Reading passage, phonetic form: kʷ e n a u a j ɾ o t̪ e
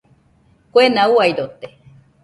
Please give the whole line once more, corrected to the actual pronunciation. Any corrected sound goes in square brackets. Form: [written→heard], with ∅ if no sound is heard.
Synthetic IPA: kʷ e n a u a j ɾ o t̪ e

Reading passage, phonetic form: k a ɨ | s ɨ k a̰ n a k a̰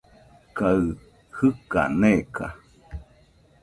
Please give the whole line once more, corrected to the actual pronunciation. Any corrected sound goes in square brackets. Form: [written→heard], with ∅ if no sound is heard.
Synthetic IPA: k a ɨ | [s→h] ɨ k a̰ n [a→e] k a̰

